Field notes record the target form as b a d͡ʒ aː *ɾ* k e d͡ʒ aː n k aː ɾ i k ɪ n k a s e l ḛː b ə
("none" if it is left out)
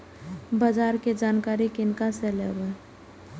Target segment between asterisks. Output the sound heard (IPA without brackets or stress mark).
ɾ